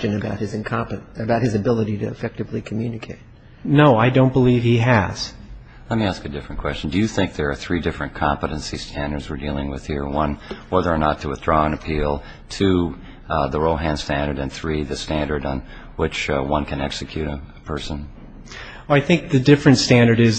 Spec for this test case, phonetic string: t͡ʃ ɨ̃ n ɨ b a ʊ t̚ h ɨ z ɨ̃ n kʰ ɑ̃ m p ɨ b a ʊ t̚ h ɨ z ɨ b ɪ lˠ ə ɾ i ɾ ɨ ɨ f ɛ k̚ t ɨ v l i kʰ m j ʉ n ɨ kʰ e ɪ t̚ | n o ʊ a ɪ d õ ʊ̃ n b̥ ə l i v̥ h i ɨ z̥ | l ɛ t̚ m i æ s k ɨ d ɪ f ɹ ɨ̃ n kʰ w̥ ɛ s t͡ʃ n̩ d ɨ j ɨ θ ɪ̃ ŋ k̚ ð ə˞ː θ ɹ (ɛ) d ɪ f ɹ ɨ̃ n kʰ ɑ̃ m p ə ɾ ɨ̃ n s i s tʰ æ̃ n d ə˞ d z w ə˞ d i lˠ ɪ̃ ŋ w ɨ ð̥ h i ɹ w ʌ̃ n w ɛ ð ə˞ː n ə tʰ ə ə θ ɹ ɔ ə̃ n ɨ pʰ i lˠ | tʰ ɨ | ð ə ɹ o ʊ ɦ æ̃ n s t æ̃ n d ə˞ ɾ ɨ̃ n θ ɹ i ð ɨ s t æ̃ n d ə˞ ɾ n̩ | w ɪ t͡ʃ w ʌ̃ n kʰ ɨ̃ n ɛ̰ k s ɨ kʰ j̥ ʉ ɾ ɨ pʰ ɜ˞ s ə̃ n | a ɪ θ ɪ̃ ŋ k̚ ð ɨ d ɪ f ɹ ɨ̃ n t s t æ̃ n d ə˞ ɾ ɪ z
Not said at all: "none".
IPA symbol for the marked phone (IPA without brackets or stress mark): i